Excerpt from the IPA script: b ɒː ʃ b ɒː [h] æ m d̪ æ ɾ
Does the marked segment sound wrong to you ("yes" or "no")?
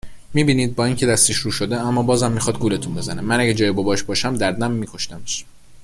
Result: yes